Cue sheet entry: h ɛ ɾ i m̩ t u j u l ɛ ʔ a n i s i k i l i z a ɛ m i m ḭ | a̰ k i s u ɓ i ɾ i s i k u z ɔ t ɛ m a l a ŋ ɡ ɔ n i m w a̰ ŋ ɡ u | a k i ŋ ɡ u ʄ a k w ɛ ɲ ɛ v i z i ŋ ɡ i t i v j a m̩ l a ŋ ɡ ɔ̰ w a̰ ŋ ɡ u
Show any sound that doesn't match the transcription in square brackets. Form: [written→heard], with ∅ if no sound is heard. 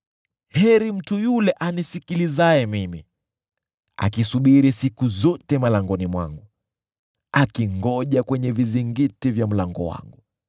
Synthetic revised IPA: h ɛ ɾ i m̩ t u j u l ɛ ʔ a n i s i k i l i z a ɛ m i m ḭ | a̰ k i s u ɓ i ɾ i s i k u z ɔ t ɛ m a l a ŋ ɡ ɔ n i m w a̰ ŋ ɡ u | a k i ŋ ɡ [u→ɔ] ʄ a k w ɛ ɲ ɛ v i z i ŋ ɡ i t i v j a m̩ l a ŋ ɡ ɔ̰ w a̰ ŋ ɡ u